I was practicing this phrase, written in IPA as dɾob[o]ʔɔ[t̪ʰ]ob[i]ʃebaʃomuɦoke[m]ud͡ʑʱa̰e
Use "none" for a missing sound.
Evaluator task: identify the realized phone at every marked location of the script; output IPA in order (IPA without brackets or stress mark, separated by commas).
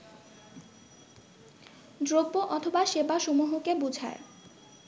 o, t̪ʰ, a, b